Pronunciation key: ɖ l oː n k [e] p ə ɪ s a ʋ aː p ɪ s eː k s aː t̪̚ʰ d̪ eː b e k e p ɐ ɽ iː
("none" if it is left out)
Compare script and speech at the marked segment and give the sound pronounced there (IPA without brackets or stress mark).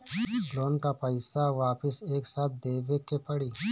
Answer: a